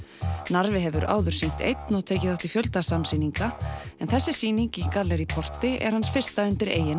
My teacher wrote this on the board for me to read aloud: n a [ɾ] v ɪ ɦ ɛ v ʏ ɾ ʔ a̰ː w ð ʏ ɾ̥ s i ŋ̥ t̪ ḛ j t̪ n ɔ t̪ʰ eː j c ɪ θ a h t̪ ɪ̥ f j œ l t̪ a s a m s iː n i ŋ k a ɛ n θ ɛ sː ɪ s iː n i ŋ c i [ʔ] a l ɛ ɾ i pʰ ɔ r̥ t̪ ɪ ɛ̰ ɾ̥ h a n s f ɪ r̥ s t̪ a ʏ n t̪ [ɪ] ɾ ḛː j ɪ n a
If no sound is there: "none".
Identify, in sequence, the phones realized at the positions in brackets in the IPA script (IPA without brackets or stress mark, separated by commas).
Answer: ɾ, k, ɪ